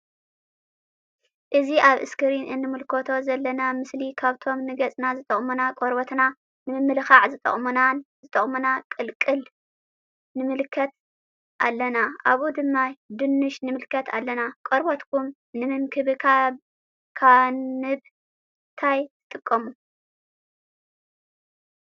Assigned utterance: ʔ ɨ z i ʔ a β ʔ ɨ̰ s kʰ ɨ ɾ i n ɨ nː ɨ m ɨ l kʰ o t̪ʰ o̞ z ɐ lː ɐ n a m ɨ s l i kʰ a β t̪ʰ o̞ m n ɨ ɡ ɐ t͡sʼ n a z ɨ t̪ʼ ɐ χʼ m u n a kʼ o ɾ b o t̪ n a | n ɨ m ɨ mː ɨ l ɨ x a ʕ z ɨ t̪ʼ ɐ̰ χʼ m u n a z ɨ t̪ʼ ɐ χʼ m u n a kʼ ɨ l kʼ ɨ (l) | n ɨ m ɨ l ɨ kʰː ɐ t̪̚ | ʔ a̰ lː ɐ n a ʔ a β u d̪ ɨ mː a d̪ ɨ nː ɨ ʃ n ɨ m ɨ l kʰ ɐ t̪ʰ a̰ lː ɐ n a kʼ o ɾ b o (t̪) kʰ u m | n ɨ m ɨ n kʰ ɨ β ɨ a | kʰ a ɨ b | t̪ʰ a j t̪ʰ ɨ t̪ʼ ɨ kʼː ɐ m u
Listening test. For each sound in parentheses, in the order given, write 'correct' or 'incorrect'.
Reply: correct, correct

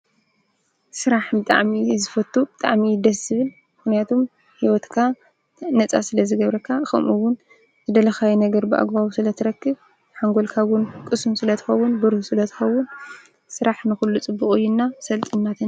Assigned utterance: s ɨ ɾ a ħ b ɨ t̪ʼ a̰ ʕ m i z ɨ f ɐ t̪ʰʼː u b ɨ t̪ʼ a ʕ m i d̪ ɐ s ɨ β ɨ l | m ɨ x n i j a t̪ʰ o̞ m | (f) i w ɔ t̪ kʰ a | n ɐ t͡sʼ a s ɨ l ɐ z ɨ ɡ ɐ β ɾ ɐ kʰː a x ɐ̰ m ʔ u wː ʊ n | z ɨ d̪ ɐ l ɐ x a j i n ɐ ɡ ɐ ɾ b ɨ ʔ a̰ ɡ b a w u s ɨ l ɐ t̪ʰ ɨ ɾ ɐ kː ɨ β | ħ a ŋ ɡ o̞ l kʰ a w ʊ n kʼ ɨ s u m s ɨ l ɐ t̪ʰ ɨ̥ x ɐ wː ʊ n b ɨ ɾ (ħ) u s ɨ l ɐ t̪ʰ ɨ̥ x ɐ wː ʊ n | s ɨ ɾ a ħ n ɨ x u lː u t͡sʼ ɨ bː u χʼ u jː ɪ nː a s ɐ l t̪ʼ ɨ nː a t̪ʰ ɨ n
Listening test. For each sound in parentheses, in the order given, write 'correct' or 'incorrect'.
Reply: incorrect: h, incorrect: h

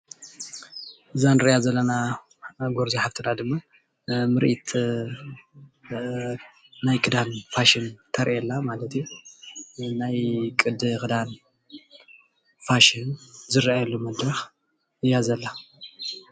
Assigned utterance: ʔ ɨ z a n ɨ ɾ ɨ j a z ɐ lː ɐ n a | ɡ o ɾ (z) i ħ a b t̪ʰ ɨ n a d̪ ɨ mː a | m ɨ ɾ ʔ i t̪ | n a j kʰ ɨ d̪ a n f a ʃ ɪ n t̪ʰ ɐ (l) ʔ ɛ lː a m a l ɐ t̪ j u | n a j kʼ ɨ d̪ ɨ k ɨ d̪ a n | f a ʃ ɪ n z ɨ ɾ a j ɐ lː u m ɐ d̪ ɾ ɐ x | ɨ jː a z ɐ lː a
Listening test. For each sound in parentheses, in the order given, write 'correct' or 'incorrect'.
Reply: correct, incorrect: ɾ

